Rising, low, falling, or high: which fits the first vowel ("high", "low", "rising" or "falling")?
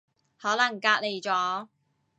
rising